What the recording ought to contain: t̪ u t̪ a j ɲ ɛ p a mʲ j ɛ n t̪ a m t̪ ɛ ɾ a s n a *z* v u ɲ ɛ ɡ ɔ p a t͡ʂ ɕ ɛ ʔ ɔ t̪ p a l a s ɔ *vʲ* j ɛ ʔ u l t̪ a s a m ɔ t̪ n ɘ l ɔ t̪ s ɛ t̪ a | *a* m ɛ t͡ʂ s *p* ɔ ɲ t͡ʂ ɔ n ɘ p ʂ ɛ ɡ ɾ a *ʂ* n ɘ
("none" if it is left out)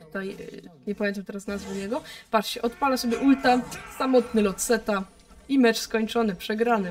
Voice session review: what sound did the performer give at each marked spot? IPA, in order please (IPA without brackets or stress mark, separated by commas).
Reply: z, bʲ, i, k, none